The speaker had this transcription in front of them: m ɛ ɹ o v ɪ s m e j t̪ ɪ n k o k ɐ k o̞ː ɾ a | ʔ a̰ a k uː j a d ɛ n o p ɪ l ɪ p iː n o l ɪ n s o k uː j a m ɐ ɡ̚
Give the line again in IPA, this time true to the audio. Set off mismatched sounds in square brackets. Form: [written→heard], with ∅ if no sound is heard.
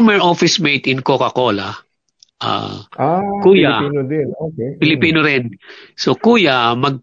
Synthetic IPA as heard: m ɛ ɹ o [v→f] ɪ s m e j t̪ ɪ n k o k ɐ k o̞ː [ɾ→l] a | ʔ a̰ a k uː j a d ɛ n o p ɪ l ɪ p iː n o [l→ɾ] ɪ n s o k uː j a m ɐ ɡ̚